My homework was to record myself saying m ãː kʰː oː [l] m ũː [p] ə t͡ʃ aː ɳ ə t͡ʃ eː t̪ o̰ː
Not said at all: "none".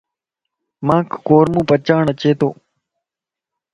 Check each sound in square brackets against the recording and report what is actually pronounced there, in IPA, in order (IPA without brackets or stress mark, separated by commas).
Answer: ɾ, p